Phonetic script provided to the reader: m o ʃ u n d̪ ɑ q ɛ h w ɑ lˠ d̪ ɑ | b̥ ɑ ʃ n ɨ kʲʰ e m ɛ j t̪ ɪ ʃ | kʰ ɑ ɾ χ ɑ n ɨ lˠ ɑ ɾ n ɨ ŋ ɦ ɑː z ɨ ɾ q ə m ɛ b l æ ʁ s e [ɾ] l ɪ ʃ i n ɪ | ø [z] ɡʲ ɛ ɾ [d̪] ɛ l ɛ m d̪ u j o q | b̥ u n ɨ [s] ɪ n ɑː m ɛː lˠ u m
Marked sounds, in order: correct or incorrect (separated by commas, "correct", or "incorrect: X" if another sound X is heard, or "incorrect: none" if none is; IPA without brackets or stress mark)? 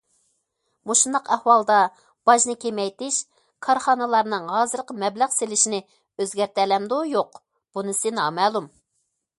incorrect: none, correct, incorrect: t̪, correct